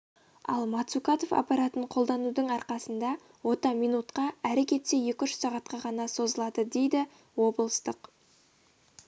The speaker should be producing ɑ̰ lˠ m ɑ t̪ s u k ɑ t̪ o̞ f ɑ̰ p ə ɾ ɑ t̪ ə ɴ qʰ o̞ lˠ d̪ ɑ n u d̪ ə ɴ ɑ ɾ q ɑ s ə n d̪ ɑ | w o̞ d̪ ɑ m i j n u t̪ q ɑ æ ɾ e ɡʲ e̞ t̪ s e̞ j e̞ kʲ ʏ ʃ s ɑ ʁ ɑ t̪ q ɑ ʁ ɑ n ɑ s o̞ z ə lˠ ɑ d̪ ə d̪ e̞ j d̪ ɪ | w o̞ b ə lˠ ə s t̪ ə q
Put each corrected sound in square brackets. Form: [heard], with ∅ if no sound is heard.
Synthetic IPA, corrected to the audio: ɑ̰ lˠ m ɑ t̪ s u k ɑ t̪ o̞ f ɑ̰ p [ɑ] ɾ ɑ t̪ ə ɴ qʰ o̞ lˠ d̪ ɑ n u d̪ ə ɴ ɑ ɾ q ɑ s ə n d̪ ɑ | w o̞ [t̪] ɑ m i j n u t̪ q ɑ æ ɾ e [kʲ] e̞ t̪ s e̞ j e̞ kʲ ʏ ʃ s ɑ ʁ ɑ t̪ q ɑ ʁ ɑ n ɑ s o̞ z ə lˠ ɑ d̪ ə d̪ e̞ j d̪ ɪ | w o̞ b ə lˠ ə s t̪ ə q